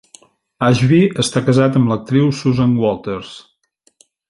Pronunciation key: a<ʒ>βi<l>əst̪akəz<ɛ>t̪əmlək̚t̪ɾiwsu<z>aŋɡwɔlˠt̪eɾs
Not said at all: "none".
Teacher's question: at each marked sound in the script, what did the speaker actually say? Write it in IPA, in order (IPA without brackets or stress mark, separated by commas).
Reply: ʒ, none, a, z